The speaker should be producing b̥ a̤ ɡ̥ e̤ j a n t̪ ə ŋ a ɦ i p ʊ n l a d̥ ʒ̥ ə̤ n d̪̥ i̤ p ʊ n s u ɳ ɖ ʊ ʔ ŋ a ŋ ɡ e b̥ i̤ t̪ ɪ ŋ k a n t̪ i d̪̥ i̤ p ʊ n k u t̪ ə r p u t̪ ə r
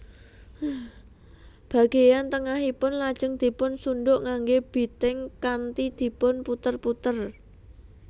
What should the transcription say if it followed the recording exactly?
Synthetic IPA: b̥ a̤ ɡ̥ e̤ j a n t̪ ə ŋ a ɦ i p ʊ n l a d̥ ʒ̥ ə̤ ŋ d̪̥ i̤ p ʊ n s u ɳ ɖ ʊ ʔ ŋ a ŋ ɡ e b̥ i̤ t̪ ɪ ŋ k a n t̪ i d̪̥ i̤ p ʊ n p u t̪ ə r p u t̪ ə r